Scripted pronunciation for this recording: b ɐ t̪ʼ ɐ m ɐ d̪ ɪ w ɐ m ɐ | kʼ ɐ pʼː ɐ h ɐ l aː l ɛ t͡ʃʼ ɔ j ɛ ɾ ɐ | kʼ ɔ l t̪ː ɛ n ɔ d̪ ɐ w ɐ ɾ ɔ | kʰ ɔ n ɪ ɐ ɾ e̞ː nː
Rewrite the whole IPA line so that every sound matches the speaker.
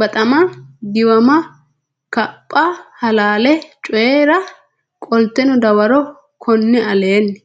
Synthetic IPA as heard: b ɐ t̪ʼ ɐ m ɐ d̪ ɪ w ɐ m ɐ | k ɐ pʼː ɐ h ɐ l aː l ɛ t͡ʃʼ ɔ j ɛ ɾ ɐ | kʼ ɔ l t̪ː ɛ n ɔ d̪ ɐ w ɐ ɾ ɔ | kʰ ɔ nː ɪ ɐ l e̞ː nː